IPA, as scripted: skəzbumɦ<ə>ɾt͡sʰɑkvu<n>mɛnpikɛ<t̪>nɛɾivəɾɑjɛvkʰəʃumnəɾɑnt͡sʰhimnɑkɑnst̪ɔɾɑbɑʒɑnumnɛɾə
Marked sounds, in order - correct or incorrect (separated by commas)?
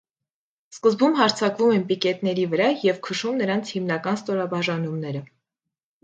incorrect, incorrect, correct